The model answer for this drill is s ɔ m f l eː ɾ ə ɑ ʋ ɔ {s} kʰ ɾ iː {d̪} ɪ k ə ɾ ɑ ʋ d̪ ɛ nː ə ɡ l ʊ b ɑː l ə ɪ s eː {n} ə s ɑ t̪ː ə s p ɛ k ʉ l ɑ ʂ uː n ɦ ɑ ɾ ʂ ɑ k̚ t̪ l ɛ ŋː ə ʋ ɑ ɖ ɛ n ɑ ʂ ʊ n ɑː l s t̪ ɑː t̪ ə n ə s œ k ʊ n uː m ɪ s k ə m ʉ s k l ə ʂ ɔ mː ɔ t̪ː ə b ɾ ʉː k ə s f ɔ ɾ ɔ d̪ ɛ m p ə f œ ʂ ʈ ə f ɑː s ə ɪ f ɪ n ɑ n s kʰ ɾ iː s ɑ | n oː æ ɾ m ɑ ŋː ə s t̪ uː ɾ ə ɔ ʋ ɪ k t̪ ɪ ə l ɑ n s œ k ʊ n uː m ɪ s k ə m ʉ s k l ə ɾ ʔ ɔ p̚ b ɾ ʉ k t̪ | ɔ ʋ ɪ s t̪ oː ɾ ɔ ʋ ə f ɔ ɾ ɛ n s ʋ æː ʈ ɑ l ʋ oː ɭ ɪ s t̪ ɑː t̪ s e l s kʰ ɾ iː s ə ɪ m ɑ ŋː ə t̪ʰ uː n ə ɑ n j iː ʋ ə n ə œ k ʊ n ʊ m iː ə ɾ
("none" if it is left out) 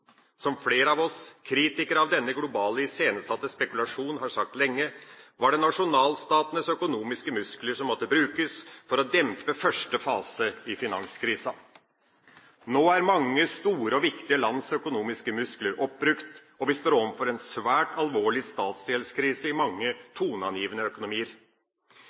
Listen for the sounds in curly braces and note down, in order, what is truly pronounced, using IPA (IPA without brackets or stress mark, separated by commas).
s, t̪, n